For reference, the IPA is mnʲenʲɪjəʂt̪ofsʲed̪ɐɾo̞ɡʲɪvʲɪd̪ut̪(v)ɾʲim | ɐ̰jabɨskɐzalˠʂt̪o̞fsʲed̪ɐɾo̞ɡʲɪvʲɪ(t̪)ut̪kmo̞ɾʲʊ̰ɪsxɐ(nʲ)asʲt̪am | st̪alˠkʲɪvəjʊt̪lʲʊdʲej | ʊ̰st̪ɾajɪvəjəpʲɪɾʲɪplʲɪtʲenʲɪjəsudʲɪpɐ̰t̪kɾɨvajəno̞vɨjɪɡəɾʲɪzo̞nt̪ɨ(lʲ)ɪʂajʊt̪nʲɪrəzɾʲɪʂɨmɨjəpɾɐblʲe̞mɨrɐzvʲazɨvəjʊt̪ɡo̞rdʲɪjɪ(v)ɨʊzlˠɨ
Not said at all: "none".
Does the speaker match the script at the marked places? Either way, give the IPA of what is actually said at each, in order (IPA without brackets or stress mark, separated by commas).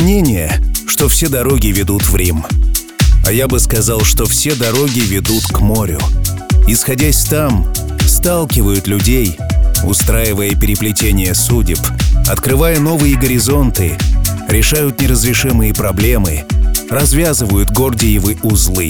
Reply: v, d̪, dʲ, ɾʲ, v